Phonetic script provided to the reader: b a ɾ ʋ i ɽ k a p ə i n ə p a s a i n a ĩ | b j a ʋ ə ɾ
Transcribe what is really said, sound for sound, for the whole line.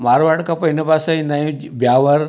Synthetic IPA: m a ɾ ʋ a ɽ k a p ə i n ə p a s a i n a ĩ | b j a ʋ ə ɾ